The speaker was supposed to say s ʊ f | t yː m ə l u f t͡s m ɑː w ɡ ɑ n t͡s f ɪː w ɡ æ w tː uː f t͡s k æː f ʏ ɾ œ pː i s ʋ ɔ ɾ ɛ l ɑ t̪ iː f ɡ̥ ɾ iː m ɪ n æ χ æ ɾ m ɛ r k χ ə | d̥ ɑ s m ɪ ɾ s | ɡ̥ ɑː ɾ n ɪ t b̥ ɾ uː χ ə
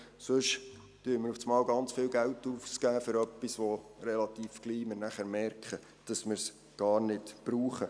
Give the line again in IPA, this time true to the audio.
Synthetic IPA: s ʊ ʃ | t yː m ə ɾ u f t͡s m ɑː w ɡ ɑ n t͡s f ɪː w ɡ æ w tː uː f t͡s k æː f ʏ ɾ œ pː i s ʋ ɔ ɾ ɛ l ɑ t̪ iː f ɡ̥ l iː m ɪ n æ χ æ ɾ m ɛ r k χ ə | d̥ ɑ s m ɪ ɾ s | ɡ̥ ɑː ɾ n ɪ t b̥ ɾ uː χ ə

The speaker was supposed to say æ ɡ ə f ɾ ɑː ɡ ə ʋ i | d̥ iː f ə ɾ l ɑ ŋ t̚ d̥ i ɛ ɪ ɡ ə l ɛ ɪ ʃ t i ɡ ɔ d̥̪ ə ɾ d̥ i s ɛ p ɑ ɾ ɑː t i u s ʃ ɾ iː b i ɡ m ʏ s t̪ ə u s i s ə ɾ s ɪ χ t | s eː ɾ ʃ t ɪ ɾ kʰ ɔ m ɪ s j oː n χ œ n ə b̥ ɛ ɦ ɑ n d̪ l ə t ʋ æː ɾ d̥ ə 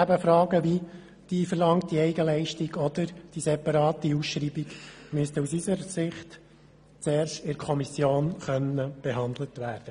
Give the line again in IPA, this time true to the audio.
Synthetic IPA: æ b ə f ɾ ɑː ɡ ə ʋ i | d̥ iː f ə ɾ l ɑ ŋ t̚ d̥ i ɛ ɪ ɡ ə l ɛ ɪ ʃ t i ɡ ɔ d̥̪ ə ɾ d̥ i s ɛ p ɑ ɾ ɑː t i u s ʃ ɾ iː b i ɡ m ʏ s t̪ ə u s i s ə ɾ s ɪ χ t | t͡s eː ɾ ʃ t ɪ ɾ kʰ ɔ m i s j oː n χ œ n ə b̥ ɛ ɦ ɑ n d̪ l ə t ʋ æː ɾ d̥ ə

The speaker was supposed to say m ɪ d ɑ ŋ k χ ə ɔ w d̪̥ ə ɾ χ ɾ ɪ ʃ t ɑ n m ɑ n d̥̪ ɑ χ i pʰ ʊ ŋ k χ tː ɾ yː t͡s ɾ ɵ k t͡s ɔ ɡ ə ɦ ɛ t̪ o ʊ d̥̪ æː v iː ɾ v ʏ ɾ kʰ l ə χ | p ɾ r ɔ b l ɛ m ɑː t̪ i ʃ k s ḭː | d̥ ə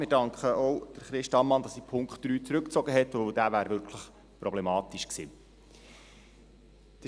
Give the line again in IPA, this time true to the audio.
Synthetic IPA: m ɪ d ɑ ŋ k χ ə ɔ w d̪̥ ə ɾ χ ɾ ɪ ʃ t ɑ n m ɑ n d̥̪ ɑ s i pʰ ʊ ŋ k χ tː ɾ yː t͡s ɾ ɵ k t͡s ɔ ɡ ə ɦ ɛ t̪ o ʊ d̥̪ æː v æː ɾ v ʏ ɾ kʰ l ə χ | p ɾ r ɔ b l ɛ m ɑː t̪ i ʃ k s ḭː | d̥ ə

